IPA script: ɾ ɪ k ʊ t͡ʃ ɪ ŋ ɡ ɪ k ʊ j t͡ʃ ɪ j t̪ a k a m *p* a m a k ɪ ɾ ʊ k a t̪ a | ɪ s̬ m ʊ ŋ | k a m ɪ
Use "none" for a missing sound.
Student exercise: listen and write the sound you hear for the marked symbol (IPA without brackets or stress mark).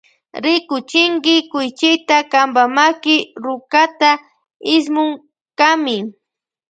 b